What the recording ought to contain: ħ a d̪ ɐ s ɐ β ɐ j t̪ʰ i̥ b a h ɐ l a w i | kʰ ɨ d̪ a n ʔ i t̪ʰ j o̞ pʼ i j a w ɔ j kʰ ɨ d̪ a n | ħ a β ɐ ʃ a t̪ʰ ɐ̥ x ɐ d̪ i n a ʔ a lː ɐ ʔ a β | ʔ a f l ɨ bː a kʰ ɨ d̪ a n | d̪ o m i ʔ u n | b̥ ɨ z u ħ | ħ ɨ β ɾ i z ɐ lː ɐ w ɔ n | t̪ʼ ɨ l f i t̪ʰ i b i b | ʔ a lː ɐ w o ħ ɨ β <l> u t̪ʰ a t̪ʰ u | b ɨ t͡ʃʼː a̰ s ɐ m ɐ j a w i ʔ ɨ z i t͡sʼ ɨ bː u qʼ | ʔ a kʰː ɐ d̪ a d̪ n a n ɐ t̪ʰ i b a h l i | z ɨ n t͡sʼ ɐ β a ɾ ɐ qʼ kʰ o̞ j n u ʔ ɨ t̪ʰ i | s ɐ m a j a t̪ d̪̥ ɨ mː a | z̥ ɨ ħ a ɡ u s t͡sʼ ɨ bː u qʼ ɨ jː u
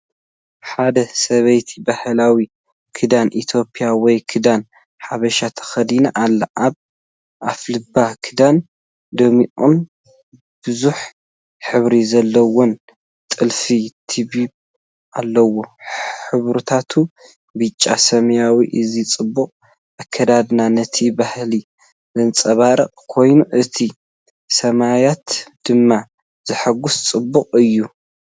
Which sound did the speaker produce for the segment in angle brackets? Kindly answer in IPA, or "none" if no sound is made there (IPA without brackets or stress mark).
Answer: ɾ